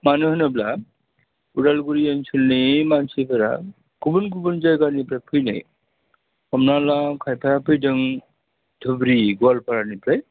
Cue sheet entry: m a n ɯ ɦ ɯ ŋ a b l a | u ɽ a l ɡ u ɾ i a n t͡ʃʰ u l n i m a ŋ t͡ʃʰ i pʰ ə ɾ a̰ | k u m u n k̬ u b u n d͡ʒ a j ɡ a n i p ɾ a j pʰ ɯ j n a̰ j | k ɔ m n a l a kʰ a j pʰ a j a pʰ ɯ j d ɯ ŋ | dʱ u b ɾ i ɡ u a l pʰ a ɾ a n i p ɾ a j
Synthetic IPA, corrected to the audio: m a n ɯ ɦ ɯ n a b l a | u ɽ a l ɡ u ɾ i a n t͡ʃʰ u l n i m a n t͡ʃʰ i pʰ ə ɾ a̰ | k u b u n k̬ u b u n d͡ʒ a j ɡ a n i p ɾ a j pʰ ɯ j n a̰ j | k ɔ m n a l a kʰ a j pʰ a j a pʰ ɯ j d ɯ ŋ | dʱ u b ɾ i ɡ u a l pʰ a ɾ a n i p ɾ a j

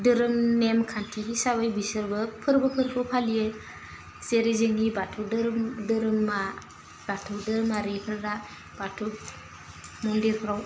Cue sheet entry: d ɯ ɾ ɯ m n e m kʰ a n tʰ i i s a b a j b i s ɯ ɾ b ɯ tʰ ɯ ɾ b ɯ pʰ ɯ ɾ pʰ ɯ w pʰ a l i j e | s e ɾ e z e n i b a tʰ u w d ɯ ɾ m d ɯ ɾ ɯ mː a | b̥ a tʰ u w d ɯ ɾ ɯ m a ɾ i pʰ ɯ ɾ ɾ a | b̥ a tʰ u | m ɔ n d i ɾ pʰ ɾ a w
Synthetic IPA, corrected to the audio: d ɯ ɾ ɯ m n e m kʰ a n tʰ i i s a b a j b i s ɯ ɾ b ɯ pʰ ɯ ɾ b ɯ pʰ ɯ ɾ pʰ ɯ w pʰ a l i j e | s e ɾ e z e ŋ i b a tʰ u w d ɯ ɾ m d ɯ ɾ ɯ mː a | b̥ a tʰ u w d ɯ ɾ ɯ m a ɾ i pʰ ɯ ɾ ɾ a | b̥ a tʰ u | m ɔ n d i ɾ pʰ ɾ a w

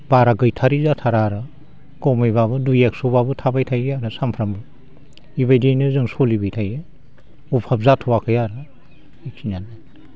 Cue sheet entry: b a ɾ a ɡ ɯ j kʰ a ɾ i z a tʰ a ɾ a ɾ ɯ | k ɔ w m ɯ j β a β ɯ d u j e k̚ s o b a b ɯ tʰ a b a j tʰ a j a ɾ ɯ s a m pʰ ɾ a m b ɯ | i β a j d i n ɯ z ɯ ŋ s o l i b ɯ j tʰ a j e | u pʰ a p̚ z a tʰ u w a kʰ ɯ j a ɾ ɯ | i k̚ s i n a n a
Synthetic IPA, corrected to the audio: b a ɾ a ɡ ɯ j tʰ a ɾ i z a tʰ a ɾ a ɾ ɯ | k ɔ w m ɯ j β a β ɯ d u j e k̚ s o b a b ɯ tʰ a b a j tʰ a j a ɾ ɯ s a m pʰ ɾ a m b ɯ | i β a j d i n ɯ z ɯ ŋ s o l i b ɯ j tʰ a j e | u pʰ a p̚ z a tʰ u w a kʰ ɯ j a ɾ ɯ | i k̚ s i n a n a

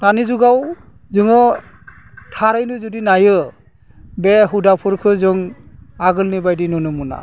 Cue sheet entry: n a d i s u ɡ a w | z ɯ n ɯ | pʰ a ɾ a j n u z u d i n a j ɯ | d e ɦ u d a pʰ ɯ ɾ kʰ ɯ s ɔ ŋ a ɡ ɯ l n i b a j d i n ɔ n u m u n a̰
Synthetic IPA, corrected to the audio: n a n i z u ɡ a w | z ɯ ŋ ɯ | tʰ a ɾ a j n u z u d i n a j ɯ | b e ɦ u d a pʰ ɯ ɾ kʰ ɯ z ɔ ŋ a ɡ ɯ l n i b a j d i n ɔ n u m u n a̰

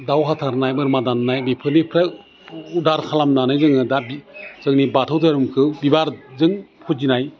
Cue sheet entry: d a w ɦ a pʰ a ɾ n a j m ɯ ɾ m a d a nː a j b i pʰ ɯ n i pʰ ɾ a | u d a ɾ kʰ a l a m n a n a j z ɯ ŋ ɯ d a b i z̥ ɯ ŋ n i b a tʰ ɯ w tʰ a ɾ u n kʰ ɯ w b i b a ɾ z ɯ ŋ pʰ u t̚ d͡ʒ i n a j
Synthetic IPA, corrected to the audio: d a w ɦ a tʰ a ɾ n a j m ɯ ɾ m a d a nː a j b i pʰ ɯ n i pʰ ɾ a | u d a ɾ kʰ a l a m n a n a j z ɯ ŋ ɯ d a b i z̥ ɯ ŋ n i b a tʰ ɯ w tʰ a ɾ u m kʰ ɯ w b i b a ɾ z ɯ ŋ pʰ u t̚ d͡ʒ i n a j

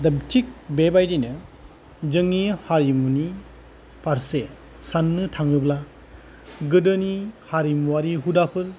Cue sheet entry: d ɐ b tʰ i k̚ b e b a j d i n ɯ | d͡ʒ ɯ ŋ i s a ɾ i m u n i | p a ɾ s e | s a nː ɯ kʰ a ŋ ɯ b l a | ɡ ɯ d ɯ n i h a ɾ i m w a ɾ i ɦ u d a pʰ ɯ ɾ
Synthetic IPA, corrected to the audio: d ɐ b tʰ i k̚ b e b a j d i n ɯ | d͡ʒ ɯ ŋ i h a ɾ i m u n i | p a ɾ s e | s a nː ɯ tʰ a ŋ ɯ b l a | ɡ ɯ d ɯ n i h a ɾ i m w a ɾ i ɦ u d a pʰ ɯ ɾ

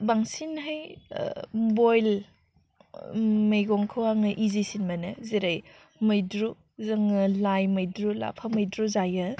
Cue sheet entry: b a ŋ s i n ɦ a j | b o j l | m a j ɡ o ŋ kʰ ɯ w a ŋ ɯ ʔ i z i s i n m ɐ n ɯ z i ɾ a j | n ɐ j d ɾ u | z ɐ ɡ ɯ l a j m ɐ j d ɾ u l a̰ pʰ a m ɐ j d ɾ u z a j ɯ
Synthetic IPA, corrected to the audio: b a ŋ s i n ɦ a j | b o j l | m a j ɡ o ŋ kʰ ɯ w a ŋ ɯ ʔ i z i s i n m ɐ n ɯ z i ɾ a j | m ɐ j d ɾ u | z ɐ ŋ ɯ l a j m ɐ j d ɾ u l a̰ pʰ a m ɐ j d ɾ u z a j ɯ

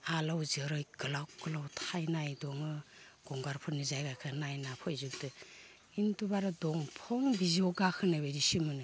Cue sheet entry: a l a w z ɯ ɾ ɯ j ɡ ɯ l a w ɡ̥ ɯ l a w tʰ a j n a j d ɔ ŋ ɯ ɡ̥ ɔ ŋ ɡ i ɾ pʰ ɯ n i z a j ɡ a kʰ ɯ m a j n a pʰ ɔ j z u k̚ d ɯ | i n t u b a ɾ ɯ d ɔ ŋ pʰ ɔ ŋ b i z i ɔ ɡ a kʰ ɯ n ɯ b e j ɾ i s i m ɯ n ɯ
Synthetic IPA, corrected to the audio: a l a w z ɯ ɾ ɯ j ɡ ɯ l a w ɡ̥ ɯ l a w tʰ a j n a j d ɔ ŋ ɯ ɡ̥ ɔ ŋ ɡ a ɾ pʰ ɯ n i z a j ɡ a kʰ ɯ n a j n a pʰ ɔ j z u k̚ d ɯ | i n t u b a ɾ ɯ d ɔ ŋ pʰ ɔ ŋ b i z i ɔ ɡ a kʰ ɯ n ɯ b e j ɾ i s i m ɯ n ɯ

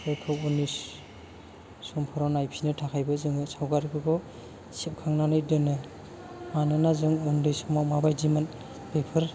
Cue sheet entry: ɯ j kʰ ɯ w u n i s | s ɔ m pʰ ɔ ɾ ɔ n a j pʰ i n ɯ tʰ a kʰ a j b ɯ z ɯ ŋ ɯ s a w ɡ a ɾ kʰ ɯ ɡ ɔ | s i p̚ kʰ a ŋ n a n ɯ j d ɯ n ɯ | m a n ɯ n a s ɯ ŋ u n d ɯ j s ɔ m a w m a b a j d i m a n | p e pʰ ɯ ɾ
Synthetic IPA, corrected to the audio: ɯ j kʰ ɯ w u n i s | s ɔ m pʰ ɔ ɾ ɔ n a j pʰ i n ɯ tʰ a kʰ a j b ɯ z ɯ ŋ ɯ s a w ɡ a ɾ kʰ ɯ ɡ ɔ | s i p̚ kʰ a ŋ n a n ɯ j d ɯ n ɯ | m a n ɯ n a z ɯ ŋ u n d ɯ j s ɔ m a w m a b a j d i m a n | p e pʰ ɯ ɾ

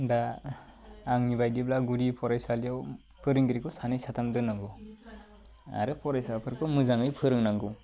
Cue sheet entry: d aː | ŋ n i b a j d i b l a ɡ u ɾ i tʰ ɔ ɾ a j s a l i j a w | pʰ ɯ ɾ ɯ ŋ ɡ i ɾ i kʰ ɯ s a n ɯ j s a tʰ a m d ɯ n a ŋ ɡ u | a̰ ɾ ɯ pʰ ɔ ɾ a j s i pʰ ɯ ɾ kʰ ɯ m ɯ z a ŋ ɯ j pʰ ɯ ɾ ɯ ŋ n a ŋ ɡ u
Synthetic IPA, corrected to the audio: d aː | ŋ n i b a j d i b l a ɡ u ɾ i pʰ ɔ ɾ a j s a l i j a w | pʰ ɯ ɾ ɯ ŋ ɡ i ɾ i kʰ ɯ s a n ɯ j s a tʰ a m d ɯ n a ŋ ɡ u | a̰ ɾ ɯ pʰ ɔ ɾ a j s a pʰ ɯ ɾ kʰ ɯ m ɯ z a ŋ ɯ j pʰ ɯ ɾ ɯ ŋ n a ŋ ɡ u

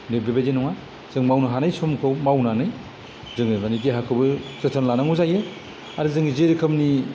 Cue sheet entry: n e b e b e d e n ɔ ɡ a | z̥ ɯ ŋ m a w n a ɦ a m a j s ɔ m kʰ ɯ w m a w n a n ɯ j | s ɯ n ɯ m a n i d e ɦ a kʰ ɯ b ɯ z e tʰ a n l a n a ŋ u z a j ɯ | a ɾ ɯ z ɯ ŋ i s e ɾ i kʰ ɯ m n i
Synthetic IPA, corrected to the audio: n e b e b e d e n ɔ ŋ a | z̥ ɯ ŋ m a w n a ɦ a n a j s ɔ m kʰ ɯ w m a w n a n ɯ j | z ɯ ŋ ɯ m a n i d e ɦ a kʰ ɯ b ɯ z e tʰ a n l a n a ŋ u z a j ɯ | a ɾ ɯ z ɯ ŋ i z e ɾ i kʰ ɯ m n i

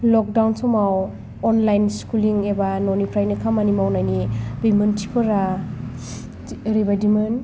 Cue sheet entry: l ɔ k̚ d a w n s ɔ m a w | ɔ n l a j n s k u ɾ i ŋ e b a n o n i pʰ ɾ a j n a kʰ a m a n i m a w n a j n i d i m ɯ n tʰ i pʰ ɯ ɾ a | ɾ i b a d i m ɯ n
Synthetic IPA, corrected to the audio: l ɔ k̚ d a w n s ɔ m a w | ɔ n l a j n s k u l i ŋ e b a n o n i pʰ ɾ a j n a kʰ a m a n i m a w n a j n i b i m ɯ n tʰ i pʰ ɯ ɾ a | ɾ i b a d i m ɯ n

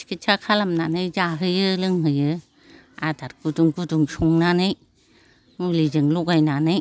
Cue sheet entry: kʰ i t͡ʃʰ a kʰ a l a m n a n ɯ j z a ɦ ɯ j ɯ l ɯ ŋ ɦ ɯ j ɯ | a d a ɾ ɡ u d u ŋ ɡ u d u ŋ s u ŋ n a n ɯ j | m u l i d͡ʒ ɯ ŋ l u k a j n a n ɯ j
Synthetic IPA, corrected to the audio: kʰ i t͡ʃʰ a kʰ a l a m n a n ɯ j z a ɦ ɯ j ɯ l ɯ ŋ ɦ ɯ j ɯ | a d a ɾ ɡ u d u ŋ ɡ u d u ŋ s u ŋ n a n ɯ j | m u l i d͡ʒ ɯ ŋ l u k a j n a n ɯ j

